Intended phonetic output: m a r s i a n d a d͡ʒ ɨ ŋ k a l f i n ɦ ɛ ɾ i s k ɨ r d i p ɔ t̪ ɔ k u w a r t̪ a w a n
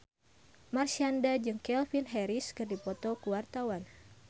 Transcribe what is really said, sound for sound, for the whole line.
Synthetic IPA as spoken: m a r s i a n d a d͡ʒ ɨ ŋ k ɛ l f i n ɦ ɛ ɾ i s k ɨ r d i p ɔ t̪ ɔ k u w a r t̪ a w a n